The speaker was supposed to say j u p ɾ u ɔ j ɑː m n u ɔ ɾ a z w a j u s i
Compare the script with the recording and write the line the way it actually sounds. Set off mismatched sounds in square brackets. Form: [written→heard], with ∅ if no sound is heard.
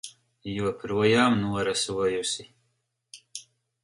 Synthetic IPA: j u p ɾ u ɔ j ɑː m n u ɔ ɾ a [z→s] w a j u s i